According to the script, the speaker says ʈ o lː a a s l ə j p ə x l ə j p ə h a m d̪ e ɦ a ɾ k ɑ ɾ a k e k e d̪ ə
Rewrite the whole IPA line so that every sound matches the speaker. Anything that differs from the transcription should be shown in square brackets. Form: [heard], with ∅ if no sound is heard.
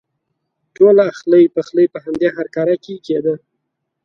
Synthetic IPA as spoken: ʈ o [l] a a [x] l ə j p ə x l ə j p ə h a m d̪ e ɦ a ɾ k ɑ ɾ a k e k e d̪ ə